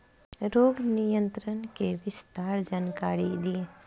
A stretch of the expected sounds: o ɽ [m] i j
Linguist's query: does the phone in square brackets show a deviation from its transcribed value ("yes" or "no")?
yes